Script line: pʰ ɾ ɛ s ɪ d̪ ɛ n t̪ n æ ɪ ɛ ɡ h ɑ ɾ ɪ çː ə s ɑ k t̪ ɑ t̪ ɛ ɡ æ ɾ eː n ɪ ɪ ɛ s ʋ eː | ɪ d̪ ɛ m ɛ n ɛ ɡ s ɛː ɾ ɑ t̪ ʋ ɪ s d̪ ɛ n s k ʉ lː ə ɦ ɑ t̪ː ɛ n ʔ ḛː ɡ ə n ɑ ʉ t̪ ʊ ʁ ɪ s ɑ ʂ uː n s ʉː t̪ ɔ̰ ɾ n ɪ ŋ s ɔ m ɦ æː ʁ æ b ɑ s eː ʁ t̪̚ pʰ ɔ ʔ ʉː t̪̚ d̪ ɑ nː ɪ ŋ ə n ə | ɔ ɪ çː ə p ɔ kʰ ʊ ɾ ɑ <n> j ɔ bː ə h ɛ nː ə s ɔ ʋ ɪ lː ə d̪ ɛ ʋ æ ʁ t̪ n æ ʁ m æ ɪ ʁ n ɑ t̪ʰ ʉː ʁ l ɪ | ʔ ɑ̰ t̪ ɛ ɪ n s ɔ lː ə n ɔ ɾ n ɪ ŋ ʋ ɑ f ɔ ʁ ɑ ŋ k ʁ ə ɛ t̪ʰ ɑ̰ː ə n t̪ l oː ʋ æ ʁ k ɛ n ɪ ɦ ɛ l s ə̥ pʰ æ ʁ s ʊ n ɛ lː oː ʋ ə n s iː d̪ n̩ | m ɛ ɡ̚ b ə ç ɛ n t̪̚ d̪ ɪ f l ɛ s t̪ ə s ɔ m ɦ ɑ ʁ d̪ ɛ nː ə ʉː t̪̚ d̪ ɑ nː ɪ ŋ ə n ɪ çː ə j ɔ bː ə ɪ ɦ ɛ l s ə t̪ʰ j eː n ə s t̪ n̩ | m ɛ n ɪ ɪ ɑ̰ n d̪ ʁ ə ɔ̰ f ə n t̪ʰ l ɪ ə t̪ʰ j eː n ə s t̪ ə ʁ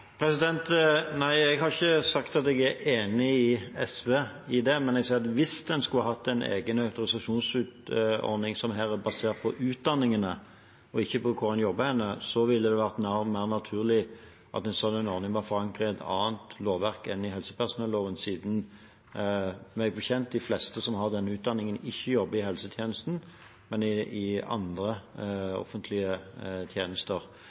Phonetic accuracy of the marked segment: correct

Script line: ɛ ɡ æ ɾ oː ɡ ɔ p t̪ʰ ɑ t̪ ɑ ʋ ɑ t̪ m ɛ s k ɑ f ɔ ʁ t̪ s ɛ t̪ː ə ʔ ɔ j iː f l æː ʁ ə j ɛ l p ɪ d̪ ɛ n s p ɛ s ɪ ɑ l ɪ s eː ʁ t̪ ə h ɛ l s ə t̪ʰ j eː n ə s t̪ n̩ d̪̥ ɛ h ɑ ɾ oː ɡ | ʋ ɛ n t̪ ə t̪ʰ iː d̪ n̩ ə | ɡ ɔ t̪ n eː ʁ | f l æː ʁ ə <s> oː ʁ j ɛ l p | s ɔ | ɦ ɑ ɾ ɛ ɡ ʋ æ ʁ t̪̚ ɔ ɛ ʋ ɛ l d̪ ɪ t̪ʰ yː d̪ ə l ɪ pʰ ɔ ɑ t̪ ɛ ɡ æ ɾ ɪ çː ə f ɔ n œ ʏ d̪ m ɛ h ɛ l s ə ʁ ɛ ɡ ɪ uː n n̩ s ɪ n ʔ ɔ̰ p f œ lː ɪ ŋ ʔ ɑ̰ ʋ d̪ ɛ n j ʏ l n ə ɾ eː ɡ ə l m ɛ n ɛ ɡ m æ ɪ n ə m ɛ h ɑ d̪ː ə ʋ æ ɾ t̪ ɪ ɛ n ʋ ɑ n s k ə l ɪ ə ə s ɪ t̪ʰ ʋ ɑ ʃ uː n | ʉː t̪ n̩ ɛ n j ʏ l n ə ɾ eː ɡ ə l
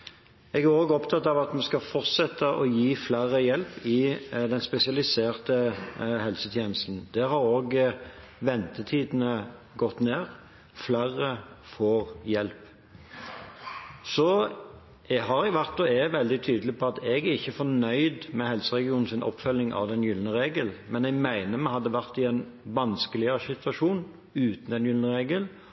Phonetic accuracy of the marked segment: incorrect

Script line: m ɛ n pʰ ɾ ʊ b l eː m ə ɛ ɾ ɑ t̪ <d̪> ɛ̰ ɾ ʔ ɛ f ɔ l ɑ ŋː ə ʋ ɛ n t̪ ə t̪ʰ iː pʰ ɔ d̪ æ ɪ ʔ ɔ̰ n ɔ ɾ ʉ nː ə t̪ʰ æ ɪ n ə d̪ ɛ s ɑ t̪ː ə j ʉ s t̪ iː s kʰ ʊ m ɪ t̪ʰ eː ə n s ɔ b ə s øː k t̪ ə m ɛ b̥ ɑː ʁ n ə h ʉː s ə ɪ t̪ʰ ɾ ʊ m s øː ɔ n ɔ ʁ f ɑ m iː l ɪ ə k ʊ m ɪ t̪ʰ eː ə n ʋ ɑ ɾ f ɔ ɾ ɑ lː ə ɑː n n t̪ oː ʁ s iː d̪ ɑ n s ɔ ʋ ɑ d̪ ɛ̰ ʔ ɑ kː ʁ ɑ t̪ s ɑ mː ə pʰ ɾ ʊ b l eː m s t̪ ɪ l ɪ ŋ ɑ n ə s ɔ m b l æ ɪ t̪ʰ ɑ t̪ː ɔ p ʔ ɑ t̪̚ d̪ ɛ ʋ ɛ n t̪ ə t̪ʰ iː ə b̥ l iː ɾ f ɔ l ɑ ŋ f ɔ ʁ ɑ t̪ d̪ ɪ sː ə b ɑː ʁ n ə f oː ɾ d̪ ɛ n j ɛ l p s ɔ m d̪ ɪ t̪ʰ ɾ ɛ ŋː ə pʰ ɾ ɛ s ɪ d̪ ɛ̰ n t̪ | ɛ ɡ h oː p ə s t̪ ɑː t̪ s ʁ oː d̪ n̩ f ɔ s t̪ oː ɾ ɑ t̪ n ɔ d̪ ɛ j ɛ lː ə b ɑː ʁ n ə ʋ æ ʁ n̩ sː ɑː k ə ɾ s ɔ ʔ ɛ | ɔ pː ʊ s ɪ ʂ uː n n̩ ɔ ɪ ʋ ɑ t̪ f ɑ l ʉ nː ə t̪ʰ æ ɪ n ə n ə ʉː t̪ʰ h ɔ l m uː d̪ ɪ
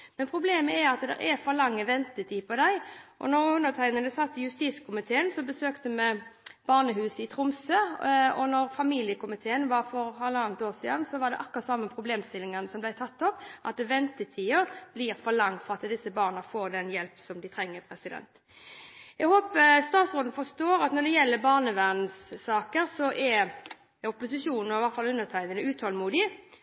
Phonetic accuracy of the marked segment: correct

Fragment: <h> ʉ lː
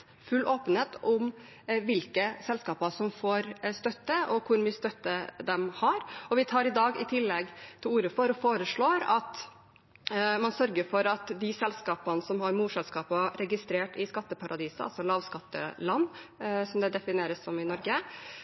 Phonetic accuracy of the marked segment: incorrect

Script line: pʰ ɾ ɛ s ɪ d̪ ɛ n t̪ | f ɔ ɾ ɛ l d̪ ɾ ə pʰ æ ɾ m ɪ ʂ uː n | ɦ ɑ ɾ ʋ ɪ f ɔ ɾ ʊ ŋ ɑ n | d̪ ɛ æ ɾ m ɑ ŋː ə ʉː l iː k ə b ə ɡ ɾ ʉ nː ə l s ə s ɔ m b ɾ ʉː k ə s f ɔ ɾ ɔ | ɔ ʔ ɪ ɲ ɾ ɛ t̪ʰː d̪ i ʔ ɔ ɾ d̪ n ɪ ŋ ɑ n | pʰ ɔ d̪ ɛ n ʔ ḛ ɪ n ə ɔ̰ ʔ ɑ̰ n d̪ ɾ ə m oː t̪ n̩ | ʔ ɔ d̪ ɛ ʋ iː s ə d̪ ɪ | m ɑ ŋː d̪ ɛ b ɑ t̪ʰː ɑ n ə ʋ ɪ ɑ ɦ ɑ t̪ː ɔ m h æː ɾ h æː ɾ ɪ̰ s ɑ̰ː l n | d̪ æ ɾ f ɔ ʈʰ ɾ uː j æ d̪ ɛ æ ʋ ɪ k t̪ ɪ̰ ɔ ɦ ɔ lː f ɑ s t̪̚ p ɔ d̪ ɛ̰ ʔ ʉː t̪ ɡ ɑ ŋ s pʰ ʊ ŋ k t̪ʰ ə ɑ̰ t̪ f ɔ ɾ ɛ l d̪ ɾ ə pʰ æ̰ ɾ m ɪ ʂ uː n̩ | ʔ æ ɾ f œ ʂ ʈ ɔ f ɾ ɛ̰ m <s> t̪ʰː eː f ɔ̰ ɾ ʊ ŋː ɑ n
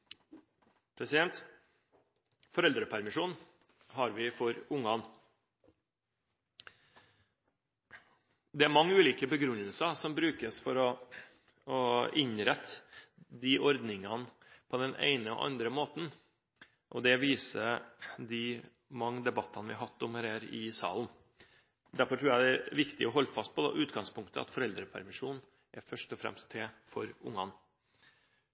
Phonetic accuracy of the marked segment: correct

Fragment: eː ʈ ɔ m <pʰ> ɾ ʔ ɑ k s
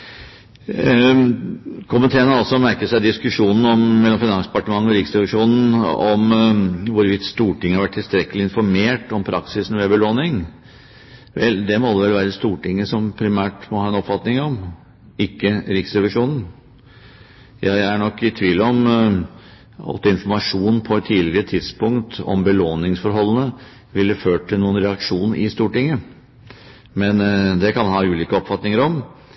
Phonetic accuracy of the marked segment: correct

